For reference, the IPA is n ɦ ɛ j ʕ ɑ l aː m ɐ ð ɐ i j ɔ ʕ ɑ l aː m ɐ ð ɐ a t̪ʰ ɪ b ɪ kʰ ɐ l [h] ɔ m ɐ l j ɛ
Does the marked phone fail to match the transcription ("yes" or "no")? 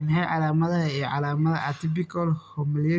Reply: no